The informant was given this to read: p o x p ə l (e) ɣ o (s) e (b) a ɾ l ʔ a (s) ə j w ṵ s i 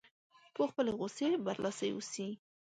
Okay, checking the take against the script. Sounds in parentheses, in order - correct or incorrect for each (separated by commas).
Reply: correct, correct, correct, correct